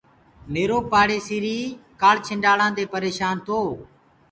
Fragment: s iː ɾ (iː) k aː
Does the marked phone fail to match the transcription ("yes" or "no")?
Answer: no